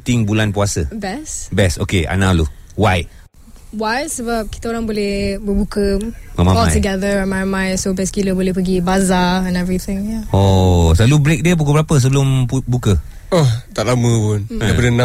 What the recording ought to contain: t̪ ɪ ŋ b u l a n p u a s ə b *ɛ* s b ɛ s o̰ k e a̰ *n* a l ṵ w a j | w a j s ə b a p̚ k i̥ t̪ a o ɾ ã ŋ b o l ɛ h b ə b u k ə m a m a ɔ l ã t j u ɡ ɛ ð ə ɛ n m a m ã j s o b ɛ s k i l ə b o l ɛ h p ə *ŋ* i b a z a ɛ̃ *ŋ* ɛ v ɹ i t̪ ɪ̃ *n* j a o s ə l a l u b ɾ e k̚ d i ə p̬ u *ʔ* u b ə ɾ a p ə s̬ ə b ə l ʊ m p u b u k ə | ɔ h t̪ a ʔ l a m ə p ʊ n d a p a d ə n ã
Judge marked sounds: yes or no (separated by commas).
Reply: yes, yes, no, no, no, no